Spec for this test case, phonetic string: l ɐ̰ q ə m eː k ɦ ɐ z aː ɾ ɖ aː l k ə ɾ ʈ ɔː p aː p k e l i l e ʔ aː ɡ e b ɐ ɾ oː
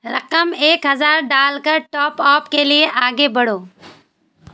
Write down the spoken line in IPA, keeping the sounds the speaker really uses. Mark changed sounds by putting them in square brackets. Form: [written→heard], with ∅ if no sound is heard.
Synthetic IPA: [l→ɾ] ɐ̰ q ə m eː k ɦ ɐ z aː ɾ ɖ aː l k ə ɾ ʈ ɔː p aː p k e l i [l→∅] e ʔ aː ɡ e b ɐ [ɾ→ɽ] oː